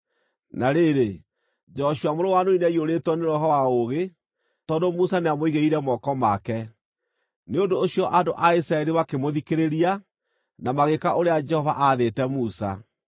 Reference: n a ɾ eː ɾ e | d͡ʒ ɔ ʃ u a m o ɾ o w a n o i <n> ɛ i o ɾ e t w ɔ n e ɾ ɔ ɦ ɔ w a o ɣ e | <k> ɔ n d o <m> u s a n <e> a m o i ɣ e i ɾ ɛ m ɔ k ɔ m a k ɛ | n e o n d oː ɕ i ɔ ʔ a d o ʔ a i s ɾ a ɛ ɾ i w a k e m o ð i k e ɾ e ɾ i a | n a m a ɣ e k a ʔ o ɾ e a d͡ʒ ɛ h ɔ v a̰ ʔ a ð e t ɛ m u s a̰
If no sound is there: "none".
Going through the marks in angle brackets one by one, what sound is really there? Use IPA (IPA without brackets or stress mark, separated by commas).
n, t, m, e